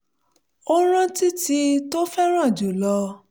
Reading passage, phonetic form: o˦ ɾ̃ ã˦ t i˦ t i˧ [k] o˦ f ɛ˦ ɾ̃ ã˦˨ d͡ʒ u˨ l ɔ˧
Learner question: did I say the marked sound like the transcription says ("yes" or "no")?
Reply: no